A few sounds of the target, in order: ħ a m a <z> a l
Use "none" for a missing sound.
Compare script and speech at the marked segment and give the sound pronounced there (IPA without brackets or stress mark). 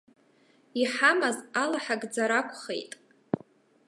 z